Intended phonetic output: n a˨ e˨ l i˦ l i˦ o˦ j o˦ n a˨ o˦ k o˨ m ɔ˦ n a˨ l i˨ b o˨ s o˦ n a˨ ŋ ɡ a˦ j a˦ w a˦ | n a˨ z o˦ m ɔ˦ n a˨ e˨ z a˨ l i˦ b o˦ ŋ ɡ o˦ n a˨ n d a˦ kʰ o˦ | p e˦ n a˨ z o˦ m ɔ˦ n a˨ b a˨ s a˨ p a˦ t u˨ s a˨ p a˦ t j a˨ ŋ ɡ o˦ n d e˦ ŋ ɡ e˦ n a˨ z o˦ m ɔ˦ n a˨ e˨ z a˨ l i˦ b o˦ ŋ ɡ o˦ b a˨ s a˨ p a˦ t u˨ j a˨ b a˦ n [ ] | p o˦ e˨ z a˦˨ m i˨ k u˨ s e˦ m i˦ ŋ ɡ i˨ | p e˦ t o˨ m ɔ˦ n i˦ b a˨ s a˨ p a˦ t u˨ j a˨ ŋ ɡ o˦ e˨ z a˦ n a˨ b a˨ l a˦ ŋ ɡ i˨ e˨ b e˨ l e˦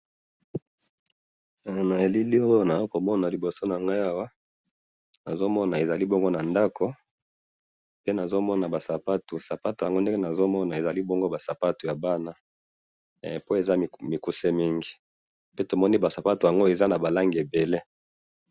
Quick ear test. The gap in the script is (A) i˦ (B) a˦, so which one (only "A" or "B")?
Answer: B